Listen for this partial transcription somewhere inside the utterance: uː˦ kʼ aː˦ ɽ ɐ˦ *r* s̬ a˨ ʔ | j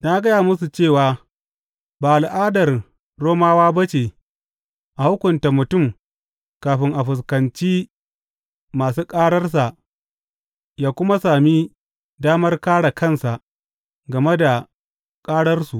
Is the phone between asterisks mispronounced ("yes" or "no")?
no